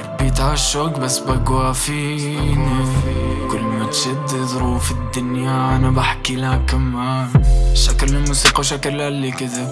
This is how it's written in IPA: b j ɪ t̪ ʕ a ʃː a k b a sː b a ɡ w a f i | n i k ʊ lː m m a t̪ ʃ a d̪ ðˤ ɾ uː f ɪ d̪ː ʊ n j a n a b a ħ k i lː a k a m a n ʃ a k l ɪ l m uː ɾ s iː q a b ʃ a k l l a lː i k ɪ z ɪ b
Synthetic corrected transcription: b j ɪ t̪ ʕ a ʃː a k b a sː b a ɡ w a f i | n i k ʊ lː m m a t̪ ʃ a d̪ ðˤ ɾ uː f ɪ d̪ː ʊ n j a n a b a ħ k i l a k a m a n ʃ a k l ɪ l m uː s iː q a w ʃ a k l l a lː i k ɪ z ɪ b